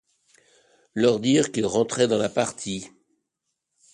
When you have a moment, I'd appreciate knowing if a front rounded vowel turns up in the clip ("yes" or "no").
yes